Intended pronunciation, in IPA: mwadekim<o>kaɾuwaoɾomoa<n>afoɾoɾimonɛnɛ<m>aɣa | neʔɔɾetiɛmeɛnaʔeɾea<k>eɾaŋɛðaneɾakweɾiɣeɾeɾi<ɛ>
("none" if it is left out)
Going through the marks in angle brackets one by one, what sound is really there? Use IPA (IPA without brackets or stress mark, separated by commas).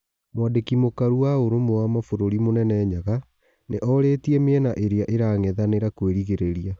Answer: o, m, ɲ, ʔ, a